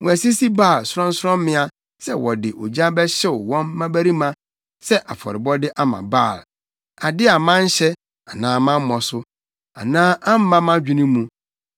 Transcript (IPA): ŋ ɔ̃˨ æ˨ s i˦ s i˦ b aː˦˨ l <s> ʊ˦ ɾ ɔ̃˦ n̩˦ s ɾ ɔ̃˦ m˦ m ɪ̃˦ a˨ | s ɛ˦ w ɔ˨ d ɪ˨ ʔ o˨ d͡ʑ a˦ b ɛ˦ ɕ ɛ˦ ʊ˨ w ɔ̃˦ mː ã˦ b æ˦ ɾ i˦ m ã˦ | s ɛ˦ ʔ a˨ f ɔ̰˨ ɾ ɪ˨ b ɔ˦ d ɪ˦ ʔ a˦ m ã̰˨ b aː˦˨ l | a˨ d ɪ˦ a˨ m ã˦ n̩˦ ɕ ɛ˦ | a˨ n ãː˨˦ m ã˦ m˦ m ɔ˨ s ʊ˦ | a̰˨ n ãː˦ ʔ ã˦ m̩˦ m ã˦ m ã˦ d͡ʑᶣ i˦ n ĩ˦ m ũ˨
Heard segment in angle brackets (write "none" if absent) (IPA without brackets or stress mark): s